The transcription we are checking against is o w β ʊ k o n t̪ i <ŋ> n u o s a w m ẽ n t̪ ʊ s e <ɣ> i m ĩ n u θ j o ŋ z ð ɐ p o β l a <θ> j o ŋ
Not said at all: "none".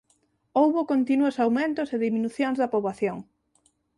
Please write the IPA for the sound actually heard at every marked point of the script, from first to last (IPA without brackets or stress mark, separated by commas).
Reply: none, ð, θ